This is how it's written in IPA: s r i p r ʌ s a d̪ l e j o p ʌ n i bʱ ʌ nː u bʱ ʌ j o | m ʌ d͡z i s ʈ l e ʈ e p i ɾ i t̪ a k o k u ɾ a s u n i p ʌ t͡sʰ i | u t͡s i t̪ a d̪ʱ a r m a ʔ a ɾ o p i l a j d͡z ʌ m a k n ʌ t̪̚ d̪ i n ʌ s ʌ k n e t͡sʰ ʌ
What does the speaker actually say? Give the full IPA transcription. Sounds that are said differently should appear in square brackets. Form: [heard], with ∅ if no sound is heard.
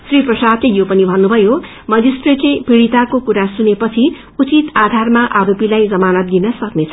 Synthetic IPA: s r i p r ʌ s a d̪ l e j o p ʌ n i bʱ ʌ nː u bʱ ʌ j o | m ʌ d͡z i s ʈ [r] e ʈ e p i [ɽ] i t̪ a k o k u ɾ a s u n [e] p ʌ t͡sʰ i | u t͡s i t̪ a d̪ʱ a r m a ʔ a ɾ o p i l a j d͡z ʌ m a [∅] n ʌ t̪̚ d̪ i n ʌ s ʌ k n e t͡sʰ ʌ